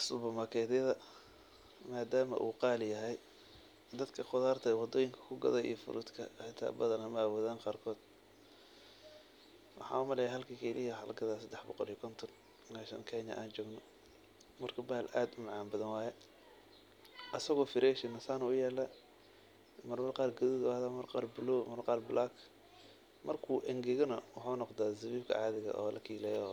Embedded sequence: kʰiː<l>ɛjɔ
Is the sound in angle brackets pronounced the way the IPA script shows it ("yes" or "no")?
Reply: yes